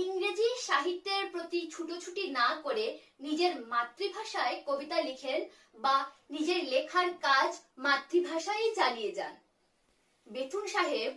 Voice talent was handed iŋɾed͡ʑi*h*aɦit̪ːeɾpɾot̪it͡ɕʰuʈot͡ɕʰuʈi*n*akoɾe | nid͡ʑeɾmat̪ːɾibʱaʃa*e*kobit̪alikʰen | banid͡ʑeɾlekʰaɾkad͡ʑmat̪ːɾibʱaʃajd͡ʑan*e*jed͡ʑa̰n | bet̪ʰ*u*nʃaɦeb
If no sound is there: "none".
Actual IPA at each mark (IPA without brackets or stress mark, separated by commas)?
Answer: ʃ, n, e, i, u